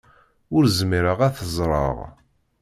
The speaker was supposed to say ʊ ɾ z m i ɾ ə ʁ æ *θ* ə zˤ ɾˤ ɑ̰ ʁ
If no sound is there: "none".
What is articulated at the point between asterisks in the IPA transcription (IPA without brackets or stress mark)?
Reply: θ